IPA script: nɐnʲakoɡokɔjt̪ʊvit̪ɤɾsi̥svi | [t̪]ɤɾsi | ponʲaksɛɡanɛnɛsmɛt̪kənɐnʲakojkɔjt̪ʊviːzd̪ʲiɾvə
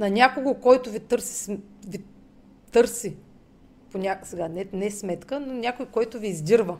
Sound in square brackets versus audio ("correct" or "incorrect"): correct